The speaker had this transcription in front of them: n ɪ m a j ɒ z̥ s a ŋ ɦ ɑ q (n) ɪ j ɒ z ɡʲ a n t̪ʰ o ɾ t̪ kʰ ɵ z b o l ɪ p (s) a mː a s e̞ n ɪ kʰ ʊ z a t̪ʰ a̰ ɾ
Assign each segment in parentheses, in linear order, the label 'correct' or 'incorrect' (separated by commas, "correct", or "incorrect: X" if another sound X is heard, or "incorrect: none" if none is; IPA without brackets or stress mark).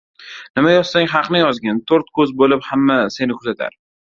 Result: correct, incorrect: h